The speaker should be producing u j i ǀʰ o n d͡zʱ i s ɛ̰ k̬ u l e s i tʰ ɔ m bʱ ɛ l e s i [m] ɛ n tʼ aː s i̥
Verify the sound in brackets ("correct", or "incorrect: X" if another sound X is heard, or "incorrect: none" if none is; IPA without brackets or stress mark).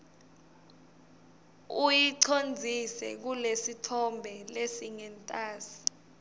incorrect: ŋ